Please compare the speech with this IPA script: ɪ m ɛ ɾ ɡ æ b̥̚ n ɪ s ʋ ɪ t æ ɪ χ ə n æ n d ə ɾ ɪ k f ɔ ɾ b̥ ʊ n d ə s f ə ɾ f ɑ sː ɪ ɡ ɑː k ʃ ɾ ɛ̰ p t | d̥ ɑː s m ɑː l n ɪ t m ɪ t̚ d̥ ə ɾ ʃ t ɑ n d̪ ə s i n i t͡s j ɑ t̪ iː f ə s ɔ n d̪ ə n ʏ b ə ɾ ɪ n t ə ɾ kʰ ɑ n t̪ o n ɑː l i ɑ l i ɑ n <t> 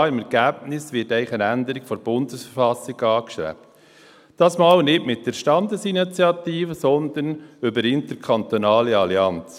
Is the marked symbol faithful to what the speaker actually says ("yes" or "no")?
no